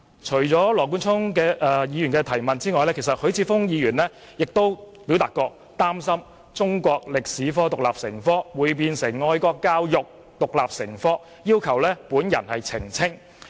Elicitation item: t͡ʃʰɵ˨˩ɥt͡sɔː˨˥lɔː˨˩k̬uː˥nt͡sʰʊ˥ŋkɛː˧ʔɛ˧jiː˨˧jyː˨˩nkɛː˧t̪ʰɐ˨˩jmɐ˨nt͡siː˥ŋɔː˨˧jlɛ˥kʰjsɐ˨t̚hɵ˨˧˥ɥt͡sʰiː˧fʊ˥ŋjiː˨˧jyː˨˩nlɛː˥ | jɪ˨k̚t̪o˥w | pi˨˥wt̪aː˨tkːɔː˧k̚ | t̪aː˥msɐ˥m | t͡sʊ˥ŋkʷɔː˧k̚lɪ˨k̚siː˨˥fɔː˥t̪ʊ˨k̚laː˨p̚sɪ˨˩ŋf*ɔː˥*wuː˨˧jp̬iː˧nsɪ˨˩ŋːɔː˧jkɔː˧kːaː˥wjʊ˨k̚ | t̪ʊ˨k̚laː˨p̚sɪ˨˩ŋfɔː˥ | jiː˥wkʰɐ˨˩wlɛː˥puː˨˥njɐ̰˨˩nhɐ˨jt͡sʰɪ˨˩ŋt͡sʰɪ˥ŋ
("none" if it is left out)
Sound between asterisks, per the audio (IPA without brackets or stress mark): ɔː˥